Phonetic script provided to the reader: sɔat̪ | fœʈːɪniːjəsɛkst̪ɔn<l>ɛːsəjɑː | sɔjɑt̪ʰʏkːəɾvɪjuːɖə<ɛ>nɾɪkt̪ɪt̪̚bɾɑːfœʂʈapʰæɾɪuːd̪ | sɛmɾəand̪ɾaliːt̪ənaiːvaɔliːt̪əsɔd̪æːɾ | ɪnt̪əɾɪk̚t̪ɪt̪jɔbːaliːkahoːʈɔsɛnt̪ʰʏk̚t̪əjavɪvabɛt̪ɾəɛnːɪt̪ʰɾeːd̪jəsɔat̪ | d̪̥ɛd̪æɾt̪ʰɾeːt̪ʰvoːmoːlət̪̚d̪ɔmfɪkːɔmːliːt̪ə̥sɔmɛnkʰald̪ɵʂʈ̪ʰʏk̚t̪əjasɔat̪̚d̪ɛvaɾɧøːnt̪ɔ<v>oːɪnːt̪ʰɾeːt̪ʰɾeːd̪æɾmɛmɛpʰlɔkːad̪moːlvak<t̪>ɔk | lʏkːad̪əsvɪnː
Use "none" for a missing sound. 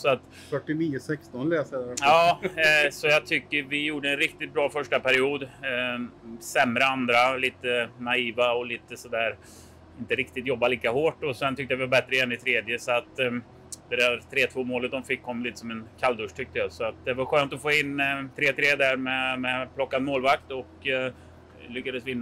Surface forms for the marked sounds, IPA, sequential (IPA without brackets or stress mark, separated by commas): l, ɛ, f, t̪